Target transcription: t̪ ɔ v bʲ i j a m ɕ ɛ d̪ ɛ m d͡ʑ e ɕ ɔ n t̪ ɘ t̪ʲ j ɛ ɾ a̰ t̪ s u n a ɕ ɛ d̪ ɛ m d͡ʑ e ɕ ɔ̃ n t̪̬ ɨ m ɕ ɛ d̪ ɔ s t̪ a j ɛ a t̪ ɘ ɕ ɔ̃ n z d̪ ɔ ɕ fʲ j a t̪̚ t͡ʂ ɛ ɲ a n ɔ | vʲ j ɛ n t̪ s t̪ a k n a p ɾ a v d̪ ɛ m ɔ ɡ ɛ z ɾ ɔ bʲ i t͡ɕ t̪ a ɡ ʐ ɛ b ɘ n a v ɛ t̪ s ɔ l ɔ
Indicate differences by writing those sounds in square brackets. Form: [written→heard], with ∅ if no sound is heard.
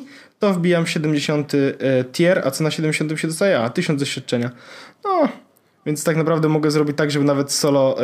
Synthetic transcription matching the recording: t̪ ɔ v bʲ i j a m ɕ ɛ d̪ ɛ m d͡ʑ e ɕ ɔ n t̪ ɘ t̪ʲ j ɛ ɾ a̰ t̪ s [u→ɔ] n a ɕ ɛ d̪ ɛ m d͡ʑ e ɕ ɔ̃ n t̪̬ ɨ m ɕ ɛ d̪ ɔ s t̪ a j ɛ a t̪ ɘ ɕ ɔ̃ n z d̪ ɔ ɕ fʲ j a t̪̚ t͡ʂ ɛ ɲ a n ɔ | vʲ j ɛ n t̪ s t̪ a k n a p ɾ a v d̪ ɛ m ɔ ɡ ɛ z ɾ ɔ bʲ i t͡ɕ t̪ a ɡ ʐ ɛ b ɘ n a v ɛ t̪ s ɔ l ɔ